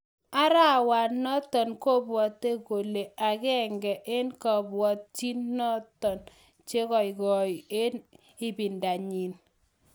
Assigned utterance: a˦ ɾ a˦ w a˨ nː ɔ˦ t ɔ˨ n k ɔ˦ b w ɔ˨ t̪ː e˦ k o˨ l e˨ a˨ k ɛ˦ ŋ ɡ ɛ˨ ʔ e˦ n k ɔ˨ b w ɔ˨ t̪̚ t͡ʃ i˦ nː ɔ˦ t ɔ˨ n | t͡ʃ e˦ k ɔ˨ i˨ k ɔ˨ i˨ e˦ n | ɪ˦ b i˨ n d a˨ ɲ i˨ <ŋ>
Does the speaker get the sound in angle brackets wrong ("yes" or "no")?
yes